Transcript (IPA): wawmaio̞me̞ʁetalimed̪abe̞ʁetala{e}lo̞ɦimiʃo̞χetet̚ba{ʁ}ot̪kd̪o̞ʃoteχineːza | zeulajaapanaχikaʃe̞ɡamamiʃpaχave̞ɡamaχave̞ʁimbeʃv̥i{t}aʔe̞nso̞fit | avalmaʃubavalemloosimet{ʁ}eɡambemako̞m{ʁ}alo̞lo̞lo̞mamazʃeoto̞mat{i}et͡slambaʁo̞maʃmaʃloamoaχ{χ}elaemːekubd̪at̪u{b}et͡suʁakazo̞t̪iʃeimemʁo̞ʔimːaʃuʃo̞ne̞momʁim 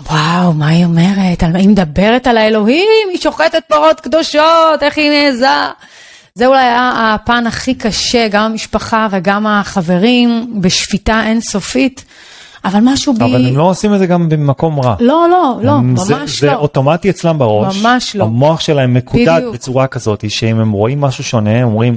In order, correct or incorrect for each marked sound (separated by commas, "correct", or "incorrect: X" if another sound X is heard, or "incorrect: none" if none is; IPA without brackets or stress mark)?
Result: correct, correct, correct, incorrect: z, correct, correct, incorrect: ʃ, correct